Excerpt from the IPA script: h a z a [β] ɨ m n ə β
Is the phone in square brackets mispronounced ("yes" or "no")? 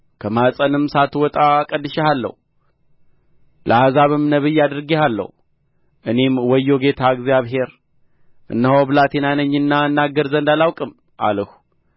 no